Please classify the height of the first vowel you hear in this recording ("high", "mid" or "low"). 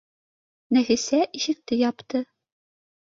low